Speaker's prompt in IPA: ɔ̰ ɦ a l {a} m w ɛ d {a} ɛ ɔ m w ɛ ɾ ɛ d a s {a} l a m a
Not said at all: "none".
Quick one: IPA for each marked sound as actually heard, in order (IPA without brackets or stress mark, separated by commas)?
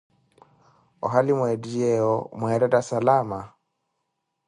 i, i, a